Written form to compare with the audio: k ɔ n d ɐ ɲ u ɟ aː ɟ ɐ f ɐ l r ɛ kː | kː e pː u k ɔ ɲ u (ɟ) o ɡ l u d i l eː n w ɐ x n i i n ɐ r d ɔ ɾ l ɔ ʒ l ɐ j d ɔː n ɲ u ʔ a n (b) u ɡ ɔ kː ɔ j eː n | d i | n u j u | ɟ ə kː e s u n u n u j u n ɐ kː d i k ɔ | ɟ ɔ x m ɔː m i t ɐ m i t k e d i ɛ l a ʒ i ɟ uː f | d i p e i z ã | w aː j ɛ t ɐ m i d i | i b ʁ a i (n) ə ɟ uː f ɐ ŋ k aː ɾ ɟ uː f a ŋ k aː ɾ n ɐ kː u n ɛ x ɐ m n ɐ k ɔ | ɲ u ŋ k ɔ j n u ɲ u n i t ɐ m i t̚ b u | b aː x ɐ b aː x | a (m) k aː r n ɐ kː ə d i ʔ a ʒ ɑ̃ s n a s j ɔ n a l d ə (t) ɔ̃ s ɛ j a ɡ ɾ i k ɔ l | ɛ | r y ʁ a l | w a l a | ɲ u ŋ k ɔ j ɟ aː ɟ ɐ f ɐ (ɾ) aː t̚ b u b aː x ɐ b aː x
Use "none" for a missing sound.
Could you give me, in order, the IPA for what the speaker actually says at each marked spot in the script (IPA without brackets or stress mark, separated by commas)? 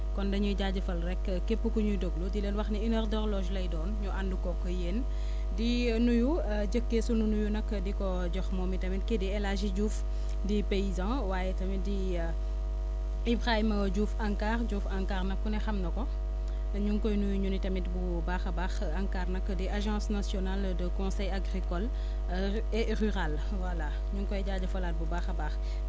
d, d, m, ŋ, k, l